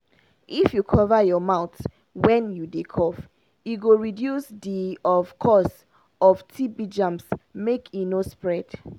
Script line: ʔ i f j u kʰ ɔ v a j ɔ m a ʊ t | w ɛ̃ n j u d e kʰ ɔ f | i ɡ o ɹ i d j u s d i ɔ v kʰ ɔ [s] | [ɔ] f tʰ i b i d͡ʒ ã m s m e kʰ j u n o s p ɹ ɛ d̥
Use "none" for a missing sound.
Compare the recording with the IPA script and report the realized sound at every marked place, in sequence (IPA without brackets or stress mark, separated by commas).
s, ɔ